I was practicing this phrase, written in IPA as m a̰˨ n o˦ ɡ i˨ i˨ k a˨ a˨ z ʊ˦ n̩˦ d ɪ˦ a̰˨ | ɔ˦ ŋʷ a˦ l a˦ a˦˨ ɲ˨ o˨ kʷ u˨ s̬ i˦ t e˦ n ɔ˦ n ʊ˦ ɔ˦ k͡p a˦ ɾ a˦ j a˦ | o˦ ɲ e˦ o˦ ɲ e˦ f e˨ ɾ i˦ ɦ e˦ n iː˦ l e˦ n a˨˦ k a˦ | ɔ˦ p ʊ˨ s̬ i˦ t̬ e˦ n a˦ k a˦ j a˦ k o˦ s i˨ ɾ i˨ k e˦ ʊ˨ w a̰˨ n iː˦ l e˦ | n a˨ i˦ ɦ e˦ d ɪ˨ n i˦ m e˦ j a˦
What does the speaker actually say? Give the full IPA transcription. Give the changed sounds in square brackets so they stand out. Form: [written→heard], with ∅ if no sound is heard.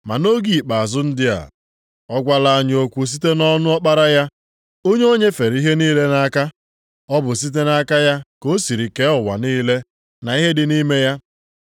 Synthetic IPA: m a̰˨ n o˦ ɡ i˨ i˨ [k→k͡p] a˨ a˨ z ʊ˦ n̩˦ d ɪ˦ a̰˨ | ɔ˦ [ŋʷ→ɡʷ] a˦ l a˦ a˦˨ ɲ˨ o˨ kʷ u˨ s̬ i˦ t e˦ n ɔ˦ n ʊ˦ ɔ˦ k͡p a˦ ɾ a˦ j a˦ | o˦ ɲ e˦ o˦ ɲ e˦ f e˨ ɾ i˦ ɦ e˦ n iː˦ l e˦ n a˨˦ k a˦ | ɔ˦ [p→b] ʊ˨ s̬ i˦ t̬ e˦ n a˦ k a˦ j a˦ k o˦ s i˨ ɾ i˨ k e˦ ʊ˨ w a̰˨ n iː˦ l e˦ | n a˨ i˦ ɦ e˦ d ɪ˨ n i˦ m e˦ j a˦